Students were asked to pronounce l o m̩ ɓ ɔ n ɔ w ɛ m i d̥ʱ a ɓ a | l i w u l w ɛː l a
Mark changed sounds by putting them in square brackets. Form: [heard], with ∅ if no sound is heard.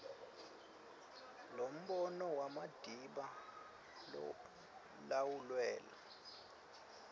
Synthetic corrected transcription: l o m̩ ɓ ɔ n ɔ w [a] m [a] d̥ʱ [i] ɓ a | l [a] w u l w ɛː l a